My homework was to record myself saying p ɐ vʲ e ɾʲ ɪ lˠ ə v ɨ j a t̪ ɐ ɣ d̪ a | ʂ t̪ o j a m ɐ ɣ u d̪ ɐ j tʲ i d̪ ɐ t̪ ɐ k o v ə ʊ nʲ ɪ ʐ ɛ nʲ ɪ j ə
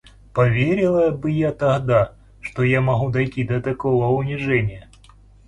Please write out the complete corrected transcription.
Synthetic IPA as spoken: p ɐ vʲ e ɾʲ ɪ lˠ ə b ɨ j a t̪ ɐ ɣ d̪ a | ʂ t̪ o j a m ɐ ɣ u d̪ ɐ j tʲ i d̪ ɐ t̪ ɐ k o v ə ʊ nʲ ɪ ʐ ɛ nʲ ɪ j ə